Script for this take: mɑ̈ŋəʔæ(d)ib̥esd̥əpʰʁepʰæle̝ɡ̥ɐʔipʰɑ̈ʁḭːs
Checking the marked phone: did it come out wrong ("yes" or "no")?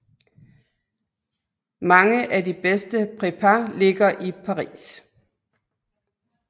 no